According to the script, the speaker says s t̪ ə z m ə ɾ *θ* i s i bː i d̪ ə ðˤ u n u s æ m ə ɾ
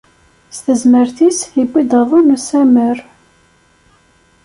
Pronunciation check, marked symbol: correct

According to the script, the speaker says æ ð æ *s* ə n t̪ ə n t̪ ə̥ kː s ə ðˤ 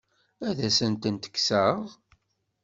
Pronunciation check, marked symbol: correct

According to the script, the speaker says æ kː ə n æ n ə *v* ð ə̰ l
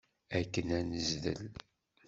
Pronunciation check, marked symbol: incorrect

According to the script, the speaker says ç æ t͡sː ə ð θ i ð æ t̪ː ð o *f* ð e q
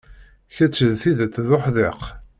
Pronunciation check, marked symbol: incorrect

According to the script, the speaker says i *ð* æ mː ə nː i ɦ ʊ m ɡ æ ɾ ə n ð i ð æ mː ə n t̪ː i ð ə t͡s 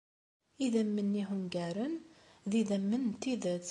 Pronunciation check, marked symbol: correct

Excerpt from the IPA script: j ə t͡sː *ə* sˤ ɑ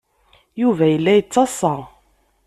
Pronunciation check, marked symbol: incorrect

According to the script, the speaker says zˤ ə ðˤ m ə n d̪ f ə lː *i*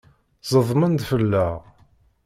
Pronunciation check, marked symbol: incorrect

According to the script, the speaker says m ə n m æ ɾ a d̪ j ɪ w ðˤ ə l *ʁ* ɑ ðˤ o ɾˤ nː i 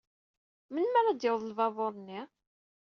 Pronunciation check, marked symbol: incorrect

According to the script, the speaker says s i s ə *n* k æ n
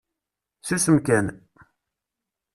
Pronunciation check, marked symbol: incorrect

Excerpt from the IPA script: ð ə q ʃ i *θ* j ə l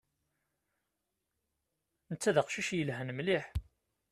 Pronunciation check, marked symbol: incorrect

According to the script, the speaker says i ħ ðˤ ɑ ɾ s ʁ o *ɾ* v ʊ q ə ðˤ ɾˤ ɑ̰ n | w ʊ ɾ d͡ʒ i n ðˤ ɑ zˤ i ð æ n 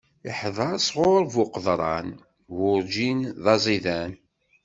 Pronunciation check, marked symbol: correct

